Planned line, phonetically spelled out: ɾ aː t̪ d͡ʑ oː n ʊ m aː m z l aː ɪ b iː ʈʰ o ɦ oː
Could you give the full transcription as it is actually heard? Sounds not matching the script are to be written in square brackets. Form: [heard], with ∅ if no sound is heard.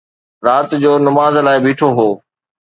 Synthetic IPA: ɾ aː t̪ d͡ʑ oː n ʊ m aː [∅] z l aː ɪ b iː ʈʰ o ɦ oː